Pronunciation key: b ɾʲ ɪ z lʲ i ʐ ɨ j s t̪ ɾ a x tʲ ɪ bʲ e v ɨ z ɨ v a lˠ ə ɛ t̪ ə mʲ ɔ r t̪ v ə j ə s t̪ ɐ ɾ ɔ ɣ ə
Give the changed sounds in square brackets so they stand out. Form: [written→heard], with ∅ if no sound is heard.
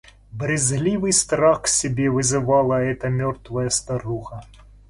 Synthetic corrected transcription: b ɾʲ ɪ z lʲ i [ʐ→v] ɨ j s t̪ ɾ a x [tʲ→sʲ] ɪ bʲ e v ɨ z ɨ v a lˠ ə ɛ t̪ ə mʲ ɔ r t̪ v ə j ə s t̪ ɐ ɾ [ɔ→u] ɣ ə